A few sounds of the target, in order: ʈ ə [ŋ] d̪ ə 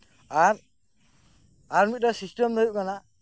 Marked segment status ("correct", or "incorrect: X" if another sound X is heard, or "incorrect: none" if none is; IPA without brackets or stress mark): incorrect: m